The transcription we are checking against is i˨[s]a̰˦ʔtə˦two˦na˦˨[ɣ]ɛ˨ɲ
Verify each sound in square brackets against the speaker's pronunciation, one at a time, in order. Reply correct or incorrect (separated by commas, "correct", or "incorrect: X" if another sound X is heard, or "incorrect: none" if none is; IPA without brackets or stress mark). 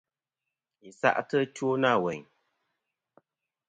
correct, incorrect: w